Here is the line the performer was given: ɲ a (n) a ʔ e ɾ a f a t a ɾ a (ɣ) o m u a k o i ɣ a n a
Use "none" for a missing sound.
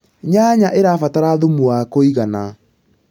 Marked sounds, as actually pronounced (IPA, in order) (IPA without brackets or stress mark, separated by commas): ɲ, ð